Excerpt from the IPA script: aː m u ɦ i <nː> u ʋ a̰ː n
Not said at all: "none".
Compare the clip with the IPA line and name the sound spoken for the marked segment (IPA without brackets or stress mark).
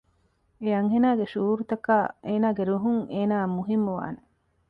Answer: mː